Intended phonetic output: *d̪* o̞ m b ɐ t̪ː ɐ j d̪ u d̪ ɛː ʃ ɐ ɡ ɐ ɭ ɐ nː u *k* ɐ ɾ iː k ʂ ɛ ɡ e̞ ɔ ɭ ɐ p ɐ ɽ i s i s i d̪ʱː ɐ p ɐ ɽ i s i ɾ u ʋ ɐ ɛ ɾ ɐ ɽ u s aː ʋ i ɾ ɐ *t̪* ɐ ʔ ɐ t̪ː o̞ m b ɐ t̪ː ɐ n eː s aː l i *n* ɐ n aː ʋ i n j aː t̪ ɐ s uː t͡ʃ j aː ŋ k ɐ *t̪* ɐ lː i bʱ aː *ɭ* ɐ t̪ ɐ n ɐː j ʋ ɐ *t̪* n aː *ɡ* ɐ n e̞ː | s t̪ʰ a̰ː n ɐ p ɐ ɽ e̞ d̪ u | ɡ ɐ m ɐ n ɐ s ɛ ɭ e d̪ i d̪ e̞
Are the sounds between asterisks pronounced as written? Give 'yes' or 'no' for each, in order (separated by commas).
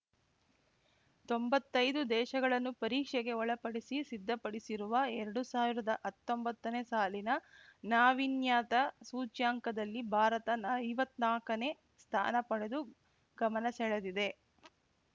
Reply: no, no, no, yes, no, no, yes, no